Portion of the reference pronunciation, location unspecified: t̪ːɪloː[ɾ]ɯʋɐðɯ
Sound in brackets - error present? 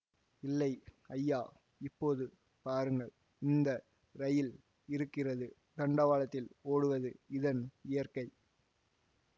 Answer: yes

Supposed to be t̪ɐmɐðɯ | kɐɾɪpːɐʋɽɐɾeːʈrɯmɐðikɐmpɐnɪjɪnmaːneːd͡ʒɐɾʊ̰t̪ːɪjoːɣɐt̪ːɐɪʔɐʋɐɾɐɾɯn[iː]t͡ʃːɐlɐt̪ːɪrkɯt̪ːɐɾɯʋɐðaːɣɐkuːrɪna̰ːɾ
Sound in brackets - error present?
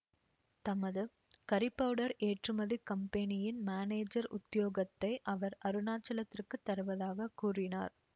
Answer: yes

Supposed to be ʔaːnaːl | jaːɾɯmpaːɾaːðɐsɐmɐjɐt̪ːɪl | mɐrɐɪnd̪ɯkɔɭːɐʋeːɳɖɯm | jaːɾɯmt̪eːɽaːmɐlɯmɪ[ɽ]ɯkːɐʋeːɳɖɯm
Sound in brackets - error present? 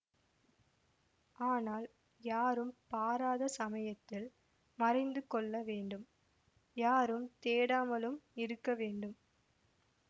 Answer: yes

